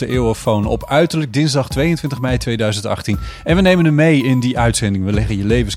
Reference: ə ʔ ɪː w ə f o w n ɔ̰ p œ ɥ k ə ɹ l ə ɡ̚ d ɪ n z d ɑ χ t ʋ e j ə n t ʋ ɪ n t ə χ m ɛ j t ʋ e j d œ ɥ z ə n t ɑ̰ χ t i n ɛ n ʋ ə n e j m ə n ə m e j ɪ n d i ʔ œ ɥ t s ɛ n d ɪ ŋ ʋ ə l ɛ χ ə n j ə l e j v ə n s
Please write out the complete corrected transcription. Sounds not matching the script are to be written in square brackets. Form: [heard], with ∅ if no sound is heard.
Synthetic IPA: ə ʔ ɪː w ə f o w n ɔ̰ p œ ɥ [t] ə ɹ l ə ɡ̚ d ɪ n z d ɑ χ t ʋ e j ə n t ʋ ɪ n t ə χ m ɛ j t ʋ e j d œ ɥ z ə n t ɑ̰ χ t i n ɛ n ʋ ə n e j m ə n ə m e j ɪ n d i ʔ œ ɥ t s ɛ n d ɪ ŋ ʋ ə l ɛ χ ə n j ə l e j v ə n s